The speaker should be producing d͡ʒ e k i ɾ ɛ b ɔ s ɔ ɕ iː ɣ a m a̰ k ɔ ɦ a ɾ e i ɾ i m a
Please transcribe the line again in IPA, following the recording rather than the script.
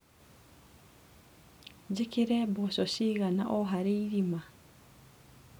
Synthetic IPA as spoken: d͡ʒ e k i ɾ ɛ b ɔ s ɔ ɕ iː ɣ a n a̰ ʔ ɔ ɦ a ɾ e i ɾ i m a